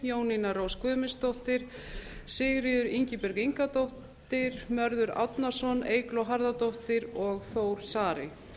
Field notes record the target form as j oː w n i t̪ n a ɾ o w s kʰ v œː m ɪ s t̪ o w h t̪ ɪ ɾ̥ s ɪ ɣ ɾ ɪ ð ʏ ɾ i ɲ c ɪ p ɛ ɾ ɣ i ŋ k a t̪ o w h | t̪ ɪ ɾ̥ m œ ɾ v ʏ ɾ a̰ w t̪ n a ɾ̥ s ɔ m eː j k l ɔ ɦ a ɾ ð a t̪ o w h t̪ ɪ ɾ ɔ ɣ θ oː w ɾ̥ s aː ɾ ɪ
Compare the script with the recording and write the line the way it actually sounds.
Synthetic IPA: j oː w n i n a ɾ o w s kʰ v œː m ɪ s t̪ o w h t̪ ɪ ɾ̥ s ɪ ɣ ɾ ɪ ð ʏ ɾ i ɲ c ɪ p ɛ ɾ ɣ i ŋ k a t̪ o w h | t̪ ɪ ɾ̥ m œ ɾ ð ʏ ɾ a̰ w t̪ n a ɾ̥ s ɔ n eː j k l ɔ ɦ a ɾ ð a t̪ o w h t̪ ɪ ɾ ɔ ɣ θ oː w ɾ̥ s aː ɾ ɪ